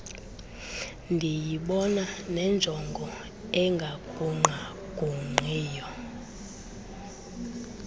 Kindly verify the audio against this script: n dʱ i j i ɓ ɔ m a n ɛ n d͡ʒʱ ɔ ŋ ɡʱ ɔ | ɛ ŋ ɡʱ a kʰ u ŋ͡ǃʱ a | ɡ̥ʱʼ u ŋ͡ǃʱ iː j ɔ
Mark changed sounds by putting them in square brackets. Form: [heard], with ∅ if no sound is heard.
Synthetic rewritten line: n dʱ i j i ɓ ɔ [n] a n ɛ n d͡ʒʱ ɔ ŋ ɡʱ ɔ | ɛ ŋ ɡʱ a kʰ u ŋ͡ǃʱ a | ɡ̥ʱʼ u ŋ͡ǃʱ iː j ɔ

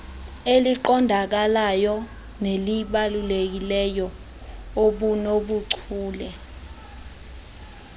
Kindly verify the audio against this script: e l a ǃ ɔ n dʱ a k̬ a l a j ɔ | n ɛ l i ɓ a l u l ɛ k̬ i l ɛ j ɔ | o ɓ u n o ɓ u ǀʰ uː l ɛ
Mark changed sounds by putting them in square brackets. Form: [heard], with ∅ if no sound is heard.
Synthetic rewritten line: e l [i] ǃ ɔ n dʱ a k̬ a l a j ɔ | n [e] l i ɓ a l u l [e] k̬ i l ɛ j ɔ | o ɓ u n o ɓ u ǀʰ uː l ɛ

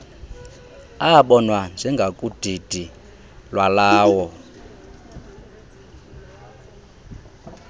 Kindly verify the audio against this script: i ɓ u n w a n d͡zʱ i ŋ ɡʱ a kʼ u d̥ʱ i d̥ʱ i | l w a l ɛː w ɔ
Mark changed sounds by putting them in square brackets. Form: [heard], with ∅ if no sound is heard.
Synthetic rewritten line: [a] ɓ [ɔ] n w a n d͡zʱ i ŋ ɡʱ a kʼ u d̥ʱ i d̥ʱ i | l w a l [aː] w ɔ

